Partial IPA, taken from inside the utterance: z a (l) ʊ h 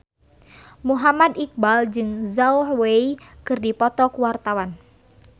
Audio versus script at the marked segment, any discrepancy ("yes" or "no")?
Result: yes